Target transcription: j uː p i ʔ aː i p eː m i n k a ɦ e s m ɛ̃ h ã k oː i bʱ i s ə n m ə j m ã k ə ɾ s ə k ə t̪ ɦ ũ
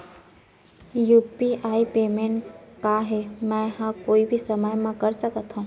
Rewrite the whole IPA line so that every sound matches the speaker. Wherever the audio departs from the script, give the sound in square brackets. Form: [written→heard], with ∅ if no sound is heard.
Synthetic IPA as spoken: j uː p i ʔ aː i p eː m [i→e] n k a ɦ e [s→∅] m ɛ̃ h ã k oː i bʱ i s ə [n→∅] m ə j m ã k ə ɾ s ə k ə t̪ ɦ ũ